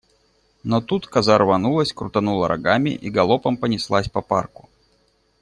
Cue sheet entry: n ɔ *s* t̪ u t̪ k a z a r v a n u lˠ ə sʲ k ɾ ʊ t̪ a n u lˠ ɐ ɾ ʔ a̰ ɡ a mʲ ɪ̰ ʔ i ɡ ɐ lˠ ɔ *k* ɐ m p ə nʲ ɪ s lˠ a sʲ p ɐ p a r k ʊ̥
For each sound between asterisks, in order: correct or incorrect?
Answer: incorrect: none, incorrect: p

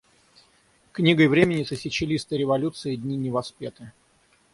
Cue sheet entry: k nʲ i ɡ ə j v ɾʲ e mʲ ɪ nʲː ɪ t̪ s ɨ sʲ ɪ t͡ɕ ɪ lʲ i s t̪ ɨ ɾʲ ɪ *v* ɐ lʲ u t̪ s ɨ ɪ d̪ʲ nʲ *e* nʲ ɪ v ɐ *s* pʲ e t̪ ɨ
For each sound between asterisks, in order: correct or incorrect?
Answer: correct, incorrect: i, correct

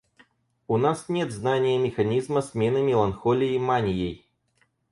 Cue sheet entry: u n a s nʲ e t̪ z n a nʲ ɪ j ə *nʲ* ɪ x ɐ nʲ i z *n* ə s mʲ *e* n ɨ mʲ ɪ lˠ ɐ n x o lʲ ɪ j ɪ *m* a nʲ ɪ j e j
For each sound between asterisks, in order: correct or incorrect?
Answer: incorrect: mʲ, incorrect: m, correct, correct

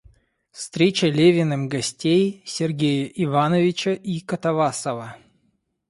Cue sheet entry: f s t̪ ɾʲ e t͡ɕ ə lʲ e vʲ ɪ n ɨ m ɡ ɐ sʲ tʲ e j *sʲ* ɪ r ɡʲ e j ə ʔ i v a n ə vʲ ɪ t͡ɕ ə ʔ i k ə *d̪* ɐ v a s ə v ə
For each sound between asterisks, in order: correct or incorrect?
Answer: correct, incorrect: t̪

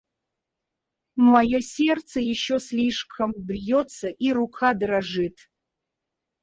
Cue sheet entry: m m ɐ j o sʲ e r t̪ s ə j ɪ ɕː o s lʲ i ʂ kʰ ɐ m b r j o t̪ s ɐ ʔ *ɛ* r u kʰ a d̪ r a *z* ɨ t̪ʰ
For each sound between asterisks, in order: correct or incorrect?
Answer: incorrect: i, incorrect: ʐ

